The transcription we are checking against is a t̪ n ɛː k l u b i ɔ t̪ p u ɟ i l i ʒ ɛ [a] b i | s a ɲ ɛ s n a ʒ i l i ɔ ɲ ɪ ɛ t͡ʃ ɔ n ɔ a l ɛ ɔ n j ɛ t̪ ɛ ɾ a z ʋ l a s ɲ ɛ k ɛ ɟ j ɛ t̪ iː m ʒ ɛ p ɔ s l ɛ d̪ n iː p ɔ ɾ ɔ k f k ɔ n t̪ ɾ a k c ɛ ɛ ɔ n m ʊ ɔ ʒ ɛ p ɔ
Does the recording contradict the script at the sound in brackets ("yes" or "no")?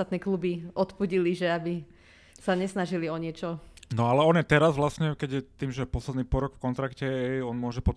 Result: no